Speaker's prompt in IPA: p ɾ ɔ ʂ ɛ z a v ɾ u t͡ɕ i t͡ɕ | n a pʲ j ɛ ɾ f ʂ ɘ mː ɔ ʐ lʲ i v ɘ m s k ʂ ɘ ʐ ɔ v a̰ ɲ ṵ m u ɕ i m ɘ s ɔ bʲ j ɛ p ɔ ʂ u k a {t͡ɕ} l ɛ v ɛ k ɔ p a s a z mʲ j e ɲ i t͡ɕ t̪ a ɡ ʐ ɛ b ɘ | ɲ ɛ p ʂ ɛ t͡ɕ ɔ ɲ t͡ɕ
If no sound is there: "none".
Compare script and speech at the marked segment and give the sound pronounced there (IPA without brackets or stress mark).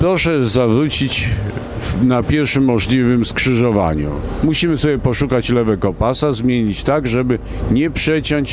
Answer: t͡ɕ